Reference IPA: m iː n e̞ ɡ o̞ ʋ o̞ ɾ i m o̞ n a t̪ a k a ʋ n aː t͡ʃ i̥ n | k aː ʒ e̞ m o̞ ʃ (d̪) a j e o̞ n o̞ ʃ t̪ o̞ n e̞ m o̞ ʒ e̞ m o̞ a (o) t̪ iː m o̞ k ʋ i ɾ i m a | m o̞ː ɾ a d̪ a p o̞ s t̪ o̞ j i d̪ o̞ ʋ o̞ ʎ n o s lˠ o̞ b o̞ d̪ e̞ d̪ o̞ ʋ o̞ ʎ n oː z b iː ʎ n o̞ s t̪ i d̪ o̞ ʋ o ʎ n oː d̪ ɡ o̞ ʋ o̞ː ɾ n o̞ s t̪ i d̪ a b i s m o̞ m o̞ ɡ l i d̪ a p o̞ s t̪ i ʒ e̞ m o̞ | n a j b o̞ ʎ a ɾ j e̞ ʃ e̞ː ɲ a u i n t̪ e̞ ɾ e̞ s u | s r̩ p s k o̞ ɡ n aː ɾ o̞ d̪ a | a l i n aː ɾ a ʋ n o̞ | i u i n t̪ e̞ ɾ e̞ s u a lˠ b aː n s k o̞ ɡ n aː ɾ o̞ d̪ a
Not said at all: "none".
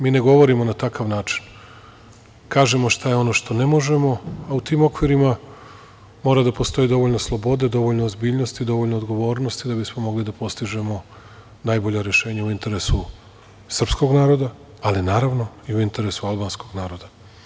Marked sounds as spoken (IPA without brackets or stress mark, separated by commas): t̪, u